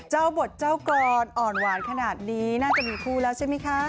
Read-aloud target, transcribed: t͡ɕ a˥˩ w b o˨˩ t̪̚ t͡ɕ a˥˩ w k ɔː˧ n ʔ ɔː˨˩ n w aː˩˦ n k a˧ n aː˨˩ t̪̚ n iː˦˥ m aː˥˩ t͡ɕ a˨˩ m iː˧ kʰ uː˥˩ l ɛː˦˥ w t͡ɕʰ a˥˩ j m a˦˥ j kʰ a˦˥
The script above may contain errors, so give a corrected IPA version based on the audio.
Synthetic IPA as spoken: t͡ɕ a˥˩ w b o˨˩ t̪̚ t͡ɕ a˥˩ w k ɔː˧ n ʔ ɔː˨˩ n w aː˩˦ n kʰ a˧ n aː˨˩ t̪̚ n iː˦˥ n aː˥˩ t͡ɕ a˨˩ m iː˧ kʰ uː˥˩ l ɛː˦˥ w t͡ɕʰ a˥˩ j m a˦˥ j kʰ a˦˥